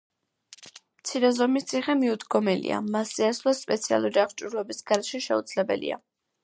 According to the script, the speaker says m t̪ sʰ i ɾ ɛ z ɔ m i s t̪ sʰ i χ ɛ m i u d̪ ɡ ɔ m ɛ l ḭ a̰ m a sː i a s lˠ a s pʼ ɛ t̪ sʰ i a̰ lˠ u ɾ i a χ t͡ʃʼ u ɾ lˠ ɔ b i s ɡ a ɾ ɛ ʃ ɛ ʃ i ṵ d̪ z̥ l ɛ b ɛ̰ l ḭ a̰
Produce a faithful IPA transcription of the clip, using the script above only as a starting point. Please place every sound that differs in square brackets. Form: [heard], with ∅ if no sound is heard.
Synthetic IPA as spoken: m t̪ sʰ i ɾ ɛ z ɔ m i s t̪ sʰ i χ ɛ m i u d̪ ɡ ɔ m ɛ l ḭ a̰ m a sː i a s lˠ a s pʼ ɛ t̪ sʰ i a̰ lˠ u ɾ i a χ t͡ʃʼ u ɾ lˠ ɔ b i s ɡ a ɾ ɛ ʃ ɛ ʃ [ɛ] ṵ d̪ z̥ l ɛ b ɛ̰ l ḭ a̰

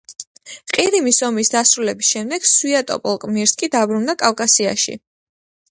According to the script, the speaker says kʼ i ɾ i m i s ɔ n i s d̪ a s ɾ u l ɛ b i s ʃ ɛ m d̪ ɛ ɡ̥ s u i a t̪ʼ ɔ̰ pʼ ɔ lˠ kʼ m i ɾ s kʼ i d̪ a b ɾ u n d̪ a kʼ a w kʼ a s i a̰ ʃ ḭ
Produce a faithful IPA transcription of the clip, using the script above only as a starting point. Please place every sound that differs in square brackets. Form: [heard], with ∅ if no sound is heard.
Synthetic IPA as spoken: [qʼ] i ɾ i m i s ɔ [m] i s d̪ a s ɾ u l ɛ b i s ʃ ɛ m d̪ ɛ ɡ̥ s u i a t̪ʼ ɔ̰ pʼ ɔ lˠ kʼ m i ɾ s kʼ i d̪ a b ɾ u n d̪ a kʼ a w kʼ a s i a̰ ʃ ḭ

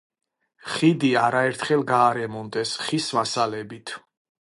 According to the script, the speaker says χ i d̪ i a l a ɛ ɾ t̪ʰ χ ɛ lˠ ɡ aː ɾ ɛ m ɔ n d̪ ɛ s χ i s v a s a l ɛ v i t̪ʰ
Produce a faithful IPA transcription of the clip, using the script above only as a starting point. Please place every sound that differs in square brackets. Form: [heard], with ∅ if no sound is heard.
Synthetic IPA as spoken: χ i d̪ i a [ɾ] a ɛ ɾ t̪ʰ χ ɛ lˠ ɡ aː ɾ ɛ m ɔ n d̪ ɛ s χ i s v a s a l ɛ [b] i t̪ʰ

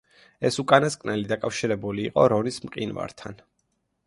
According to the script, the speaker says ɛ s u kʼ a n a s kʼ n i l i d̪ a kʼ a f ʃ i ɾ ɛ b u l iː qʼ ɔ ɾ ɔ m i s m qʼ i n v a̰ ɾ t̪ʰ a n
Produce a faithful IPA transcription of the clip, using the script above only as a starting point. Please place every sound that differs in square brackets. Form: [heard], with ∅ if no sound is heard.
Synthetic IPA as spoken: ɛ s u kʼ a n a s kʼ n [ɛ] l i d̪ a kʼ a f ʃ i ɾ ɛ b u l iː qʼ ɔ ɾ ɔ [n] i s m qʼ i n v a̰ ɾ t̪ʰ a n

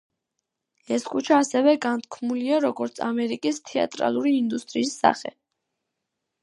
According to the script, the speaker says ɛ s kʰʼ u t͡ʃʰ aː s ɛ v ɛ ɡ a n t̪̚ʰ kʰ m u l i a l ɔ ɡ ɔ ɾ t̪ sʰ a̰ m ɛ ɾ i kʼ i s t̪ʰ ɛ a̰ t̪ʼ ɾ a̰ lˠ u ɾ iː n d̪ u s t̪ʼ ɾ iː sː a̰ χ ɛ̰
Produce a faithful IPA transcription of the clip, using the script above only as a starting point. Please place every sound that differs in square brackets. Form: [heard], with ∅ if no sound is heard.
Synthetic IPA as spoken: ɛ s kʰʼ u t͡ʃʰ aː s ɛ v ɛ ɡ a n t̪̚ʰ kʰ m u l i a [ɾ] ɔ ɡ ɔ ɾ t̪ sʰ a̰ m ɛ ɾ i kʼ i s t̪ʰ ɛ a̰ t̪ʼ ɾ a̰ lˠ u ɾ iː n d̪ u s t̪ʼ ɾ iː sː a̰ χ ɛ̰

